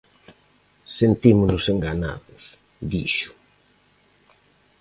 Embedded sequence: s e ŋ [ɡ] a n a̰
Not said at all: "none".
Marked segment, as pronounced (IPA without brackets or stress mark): ɡ